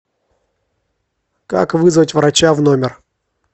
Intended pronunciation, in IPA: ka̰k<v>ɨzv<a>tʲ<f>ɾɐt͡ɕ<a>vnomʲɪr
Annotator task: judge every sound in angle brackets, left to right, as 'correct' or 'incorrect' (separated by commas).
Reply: correct, incorrect, incorrect, correct